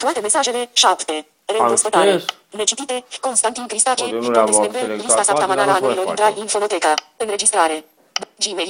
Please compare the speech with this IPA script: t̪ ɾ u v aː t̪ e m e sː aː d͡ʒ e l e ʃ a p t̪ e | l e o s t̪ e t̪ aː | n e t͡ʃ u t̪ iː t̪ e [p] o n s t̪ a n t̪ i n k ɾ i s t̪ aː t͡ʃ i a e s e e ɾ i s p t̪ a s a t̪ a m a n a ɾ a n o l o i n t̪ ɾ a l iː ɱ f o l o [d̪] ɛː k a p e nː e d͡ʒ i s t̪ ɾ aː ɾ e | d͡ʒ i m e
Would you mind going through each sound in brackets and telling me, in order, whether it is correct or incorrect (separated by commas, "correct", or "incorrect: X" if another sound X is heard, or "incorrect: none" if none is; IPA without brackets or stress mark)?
incorrect: k, incorrect: t̪